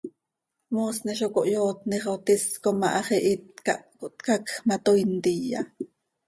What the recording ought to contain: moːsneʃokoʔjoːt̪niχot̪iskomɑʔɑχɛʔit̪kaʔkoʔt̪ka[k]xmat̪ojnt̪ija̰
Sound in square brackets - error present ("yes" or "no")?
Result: no